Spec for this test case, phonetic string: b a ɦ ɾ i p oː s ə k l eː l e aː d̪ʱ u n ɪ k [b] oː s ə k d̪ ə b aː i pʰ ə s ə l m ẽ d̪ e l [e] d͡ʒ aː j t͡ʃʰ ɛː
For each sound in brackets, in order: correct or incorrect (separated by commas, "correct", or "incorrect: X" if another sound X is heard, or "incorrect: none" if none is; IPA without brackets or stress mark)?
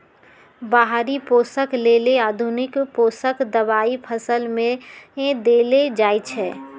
incorrect: p, correct